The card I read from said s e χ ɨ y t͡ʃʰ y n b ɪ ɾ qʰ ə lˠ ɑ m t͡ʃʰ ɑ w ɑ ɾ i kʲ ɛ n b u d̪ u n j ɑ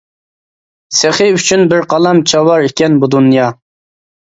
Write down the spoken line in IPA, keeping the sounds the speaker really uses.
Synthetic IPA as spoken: s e χ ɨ y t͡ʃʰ y n b ɪ ɾ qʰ ɑ lˠ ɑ m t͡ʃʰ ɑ w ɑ ɾ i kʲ ɛ n b u d̪ u n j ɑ

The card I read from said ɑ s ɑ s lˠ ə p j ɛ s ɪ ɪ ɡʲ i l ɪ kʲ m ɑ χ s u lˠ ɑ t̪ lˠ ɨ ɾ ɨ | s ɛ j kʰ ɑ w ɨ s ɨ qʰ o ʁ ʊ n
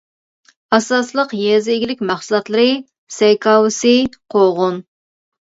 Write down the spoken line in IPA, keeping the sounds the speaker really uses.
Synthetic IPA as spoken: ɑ s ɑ s lˠ ə q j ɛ z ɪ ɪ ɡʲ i l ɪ kʲ m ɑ χ s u lˠ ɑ t̪ lˠ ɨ ɾ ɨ | s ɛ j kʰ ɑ w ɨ s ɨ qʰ o ʁ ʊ n

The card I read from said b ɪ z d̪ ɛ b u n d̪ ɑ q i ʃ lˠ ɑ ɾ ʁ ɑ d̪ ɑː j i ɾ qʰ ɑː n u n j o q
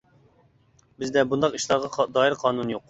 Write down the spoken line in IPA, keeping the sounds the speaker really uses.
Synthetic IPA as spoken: b ɪ z d̪ ɛ b u n d̪ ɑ q i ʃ lˠ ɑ ɾ ʁ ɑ d̪ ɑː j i ɾ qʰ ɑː n u n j o q

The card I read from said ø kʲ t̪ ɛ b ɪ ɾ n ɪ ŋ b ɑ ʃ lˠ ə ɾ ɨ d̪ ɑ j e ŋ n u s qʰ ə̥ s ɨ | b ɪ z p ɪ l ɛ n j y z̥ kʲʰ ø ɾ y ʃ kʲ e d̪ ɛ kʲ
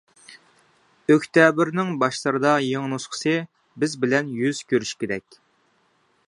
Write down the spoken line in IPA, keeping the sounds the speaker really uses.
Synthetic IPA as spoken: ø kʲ t̪ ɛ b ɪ ɾ n ɪ ŋ b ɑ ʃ lˠ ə ɾ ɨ d̪ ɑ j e ŋ n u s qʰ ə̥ s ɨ | b ɪ z b ɪ l ɛ n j y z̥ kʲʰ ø ɾ y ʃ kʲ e d̪ ɛ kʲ

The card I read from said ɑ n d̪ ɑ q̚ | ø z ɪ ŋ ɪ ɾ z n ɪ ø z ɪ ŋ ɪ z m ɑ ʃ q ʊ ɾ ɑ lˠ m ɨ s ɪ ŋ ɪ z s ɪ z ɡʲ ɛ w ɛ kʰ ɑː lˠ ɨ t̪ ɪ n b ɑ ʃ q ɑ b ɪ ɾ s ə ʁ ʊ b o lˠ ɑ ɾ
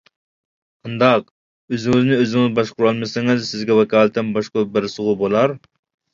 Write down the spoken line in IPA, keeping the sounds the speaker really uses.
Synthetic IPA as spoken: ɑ n d̪ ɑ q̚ | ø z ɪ ŋ ɪ z n ɪ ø z ɪ ŋ ɪ z b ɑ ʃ q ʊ ɾ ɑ lˠ m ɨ s ɪ ŋ ɪ z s ɪ z ɡʲ ɛ w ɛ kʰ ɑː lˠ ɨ t̪ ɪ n b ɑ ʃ q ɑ b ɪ ɾ s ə ʁ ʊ b o lˠ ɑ ɾ

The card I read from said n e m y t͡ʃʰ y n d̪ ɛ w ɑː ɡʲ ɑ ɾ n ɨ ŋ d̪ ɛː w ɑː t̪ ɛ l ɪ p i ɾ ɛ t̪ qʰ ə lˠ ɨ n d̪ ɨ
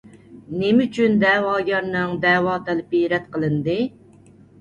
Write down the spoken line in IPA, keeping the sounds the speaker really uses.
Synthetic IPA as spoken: n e m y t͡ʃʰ y n d̪ ɛ w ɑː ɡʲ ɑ ɾ n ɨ ŋ d̪ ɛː w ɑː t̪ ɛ l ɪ p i ɾ ɛ t̪ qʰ ə lˠ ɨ n d̪ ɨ

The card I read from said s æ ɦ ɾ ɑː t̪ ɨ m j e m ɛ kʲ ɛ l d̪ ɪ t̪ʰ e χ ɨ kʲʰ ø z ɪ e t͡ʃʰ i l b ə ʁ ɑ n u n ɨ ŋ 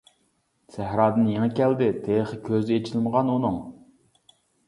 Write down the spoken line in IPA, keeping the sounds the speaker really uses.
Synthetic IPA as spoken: s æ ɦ ɾ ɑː d̪ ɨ n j e ŋ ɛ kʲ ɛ l d̪ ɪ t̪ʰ e χ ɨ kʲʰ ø z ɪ e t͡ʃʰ i l m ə ʁ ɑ n u n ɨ ŋ

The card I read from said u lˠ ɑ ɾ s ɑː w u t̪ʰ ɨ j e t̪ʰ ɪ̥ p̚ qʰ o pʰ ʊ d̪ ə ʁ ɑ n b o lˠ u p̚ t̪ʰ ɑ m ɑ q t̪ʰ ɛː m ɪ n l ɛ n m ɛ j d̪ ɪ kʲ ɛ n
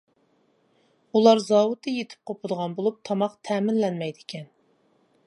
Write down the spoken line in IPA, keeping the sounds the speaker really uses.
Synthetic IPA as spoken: u lˠ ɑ ɾ z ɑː w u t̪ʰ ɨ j e t̪ʰ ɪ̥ p̚ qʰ o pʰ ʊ d̪ ə ʁ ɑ n b o lˠ u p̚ t̪ʰ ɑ m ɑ q t̪ʰ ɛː m ɪ n l ɛ n m ɛ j d̪ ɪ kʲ ɛ n

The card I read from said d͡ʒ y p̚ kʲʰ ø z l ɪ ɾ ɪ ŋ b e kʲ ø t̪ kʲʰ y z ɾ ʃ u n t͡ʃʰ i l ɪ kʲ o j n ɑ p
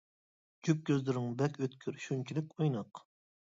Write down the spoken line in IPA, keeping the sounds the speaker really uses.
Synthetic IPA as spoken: d͡ʒ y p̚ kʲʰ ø z l ɪ ɾ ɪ ŋ b ɛ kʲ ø t̪ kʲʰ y ɾ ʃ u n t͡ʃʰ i l ɪ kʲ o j n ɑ q

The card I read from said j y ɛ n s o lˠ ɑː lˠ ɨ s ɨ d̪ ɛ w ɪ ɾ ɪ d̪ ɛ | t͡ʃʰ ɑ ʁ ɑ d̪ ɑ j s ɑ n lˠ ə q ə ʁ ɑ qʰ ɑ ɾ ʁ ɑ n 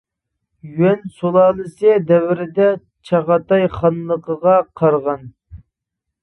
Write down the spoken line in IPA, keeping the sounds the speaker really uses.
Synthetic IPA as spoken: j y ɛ n s o lˠ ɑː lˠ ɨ s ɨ d̪ ɛ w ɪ ɾ ɪ d̪ ɛ | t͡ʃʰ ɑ ʁ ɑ t̪ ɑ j χ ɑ n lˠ ə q ə ʁ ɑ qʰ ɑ ɾ ʁ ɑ n

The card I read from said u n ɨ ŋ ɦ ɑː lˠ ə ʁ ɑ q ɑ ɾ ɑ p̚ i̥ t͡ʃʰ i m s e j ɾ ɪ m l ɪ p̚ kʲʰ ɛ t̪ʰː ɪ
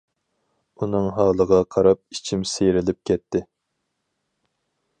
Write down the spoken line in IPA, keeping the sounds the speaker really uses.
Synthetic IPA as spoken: u n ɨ ŋ ɦ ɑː lˠ ə ʁ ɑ qʰ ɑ ɾ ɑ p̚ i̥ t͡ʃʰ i m s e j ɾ ɪ l ɪ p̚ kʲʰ ɛ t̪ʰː ɪ

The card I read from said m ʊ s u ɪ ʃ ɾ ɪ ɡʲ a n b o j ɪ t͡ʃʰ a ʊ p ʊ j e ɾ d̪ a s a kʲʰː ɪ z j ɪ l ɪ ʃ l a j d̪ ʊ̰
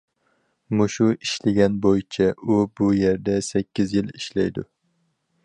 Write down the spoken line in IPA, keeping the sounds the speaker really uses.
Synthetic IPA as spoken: m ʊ ʃ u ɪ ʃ l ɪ ɡʲ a n b o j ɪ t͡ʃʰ a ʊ b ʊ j e ɾ d̪ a s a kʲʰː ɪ z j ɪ l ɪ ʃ l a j d̪ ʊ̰

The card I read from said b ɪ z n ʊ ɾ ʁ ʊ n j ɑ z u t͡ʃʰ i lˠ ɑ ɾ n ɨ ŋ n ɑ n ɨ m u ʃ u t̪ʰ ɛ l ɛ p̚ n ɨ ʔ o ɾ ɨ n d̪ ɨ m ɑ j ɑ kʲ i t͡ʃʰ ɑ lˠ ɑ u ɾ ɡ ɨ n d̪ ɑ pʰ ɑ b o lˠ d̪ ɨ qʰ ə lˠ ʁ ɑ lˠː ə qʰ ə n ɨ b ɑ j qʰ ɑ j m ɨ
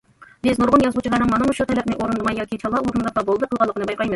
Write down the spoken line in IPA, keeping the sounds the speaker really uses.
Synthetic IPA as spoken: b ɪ z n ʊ ɾ ʁ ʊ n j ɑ z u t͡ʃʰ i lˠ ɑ ɾ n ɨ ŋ m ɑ n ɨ m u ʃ u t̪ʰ ɛ l ɛ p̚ n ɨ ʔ o ɾ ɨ n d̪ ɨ m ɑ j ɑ kʲ i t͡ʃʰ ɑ lˠ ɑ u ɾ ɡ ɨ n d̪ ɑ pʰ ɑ b o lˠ d̪ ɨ q ə lˠ ʁ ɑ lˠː ə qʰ ə n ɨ b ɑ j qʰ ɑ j m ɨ

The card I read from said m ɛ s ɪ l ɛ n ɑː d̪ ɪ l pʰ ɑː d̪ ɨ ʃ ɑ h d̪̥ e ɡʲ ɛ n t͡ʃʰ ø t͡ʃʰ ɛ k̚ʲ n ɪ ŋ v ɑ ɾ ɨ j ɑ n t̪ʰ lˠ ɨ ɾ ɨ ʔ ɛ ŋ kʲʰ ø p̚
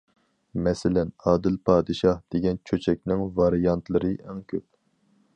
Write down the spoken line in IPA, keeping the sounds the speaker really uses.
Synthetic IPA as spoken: m ɛ s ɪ l ɛ n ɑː d̪ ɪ l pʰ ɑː d̪ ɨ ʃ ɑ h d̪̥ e ɡʲ ɛ n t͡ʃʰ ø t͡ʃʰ ɛ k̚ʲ n ɪ ŋ v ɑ ɾ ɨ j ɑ n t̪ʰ lˠ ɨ ɾ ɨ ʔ ɛ ŋ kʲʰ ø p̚

